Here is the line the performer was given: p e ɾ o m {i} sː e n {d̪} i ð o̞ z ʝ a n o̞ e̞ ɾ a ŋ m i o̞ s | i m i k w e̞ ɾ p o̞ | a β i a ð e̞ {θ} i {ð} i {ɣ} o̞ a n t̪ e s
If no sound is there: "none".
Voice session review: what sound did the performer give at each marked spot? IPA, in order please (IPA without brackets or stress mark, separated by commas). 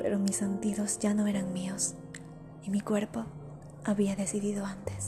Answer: i, t̪, s, ð, ð